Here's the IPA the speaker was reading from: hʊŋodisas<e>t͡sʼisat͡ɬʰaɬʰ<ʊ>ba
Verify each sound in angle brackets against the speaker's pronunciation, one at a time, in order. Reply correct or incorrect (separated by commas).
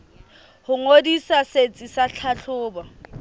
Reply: correct, incorrect